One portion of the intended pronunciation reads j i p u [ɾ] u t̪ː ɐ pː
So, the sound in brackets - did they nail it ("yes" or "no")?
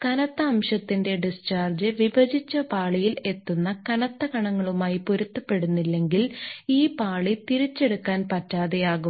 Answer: yes